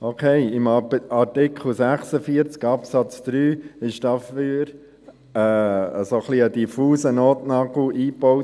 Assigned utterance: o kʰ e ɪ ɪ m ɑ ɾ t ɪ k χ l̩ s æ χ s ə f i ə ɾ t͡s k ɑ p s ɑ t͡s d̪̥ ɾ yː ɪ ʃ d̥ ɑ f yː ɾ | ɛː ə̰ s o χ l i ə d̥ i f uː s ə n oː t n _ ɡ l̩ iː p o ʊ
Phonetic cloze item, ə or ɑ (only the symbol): ɑ